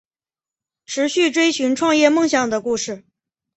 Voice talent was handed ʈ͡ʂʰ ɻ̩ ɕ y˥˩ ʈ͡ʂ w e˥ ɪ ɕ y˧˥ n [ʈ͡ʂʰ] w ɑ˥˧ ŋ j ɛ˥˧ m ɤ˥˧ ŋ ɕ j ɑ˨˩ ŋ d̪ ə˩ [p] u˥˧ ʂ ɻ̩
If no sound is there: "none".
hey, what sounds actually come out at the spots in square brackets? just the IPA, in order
ʈ͡ʂʰ, k

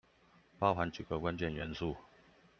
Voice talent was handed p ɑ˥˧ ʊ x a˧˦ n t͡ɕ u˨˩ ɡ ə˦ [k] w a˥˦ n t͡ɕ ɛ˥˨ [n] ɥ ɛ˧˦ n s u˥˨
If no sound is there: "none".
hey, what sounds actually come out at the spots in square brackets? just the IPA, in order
k, n

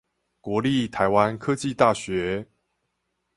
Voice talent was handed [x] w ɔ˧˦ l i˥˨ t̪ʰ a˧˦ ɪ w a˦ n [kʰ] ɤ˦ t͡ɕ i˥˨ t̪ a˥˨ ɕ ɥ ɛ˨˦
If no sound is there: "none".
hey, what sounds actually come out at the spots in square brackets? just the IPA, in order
k, kʰ

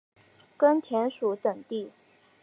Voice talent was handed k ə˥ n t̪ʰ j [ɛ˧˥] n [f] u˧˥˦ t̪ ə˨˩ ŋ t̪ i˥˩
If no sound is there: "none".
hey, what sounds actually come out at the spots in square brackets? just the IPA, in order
ɛ˧˥, ʂ

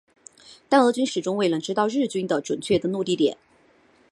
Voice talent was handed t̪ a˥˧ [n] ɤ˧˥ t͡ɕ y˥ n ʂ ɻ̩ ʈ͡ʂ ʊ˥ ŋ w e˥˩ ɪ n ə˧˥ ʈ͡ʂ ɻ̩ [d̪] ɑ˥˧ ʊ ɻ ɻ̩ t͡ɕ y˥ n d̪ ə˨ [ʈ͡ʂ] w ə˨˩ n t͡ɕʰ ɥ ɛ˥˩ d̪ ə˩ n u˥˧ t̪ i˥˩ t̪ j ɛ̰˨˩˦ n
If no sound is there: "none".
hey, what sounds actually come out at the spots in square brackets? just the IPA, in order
n, t̪, ʈ͡ʂ

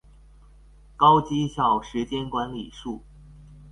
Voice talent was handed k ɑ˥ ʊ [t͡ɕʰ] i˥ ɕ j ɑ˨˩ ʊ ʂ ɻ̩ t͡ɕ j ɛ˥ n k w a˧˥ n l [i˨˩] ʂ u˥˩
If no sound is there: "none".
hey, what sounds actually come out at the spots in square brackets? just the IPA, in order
t͡ɕ, i˨˩

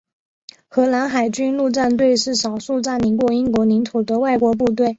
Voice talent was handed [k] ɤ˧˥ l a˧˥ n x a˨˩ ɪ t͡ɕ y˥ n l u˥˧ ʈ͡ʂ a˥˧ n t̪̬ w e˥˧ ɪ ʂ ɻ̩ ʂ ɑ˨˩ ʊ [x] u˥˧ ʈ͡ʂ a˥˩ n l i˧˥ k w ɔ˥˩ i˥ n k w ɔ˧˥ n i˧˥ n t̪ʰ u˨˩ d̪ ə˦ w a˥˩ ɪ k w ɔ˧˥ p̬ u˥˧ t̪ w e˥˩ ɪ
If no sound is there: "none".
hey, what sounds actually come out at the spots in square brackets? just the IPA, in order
x, ʂ

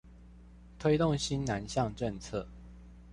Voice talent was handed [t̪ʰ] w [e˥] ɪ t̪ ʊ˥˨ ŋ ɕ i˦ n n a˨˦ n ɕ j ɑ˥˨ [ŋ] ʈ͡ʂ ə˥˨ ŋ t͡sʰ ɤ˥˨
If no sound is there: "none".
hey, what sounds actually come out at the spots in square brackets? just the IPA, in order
t̪ʰ, e˥, ŋ

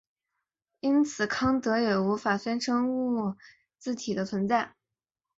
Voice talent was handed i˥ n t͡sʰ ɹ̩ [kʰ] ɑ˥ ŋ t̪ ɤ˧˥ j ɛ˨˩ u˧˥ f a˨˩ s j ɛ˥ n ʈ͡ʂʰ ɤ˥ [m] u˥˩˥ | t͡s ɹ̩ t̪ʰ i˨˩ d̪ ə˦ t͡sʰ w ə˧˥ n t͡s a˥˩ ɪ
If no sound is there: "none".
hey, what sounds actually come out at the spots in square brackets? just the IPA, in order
kʰ, ŋ

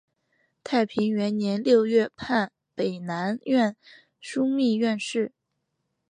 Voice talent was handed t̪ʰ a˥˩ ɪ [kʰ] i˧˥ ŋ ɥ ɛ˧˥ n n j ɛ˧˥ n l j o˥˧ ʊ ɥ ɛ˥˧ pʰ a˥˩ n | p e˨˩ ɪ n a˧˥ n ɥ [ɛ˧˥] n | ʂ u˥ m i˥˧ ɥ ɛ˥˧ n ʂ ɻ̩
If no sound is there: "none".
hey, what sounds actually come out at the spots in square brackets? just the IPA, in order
pʰ, ɛ˥˧

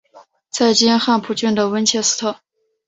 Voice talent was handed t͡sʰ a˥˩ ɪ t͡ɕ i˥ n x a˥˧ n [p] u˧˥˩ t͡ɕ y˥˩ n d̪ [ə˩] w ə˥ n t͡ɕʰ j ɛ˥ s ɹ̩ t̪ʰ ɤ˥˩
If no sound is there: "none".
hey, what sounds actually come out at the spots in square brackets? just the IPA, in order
pʰ, ə˩

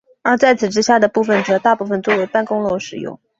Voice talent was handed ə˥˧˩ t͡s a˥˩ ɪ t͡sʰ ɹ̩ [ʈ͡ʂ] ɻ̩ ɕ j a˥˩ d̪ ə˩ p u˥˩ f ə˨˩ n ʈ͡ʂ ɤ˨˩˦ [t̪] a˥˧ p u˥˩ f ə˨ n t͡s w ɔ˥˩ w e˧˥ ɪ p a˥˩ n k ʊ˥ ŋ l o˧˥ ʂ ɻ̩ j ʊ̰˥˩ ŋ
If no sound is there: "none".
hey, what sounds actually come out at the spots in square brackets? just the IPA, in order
ʈ͡ʂ, t̪

